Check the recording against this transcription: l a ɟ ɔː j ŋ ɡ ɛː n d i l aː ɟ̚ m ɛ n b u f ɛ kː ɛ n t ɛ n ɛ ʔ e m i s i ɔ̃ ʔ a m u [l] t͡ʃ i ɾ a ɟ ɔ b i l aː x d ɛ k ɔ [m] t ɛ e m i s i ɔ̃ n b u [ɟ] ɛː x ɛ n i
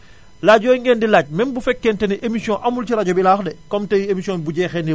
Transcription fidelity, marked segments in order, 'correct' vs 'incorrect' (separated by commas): correct, correct, correct